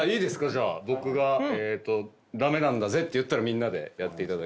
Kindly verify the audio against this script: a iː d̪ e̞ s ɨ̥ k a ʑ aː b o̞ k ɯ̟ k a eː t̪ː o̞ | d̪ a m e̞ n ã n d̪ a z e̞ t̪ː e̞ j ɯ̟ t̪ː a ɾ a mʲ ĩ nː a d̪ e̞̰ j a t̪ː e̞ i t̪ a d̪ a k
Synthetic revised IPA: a iː d̪ e̞ s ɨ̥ k a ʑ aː b o̞ k ɯ̟ ɡ a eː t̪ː o̞ | d̪ a m e̞ n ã n d̪ a z e̞ t̪ː e̞ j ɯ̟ t̪ː a ɾ a mʲ ĩ nː a d̪ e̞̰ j a t̪ː e̞ i t̪ a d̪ a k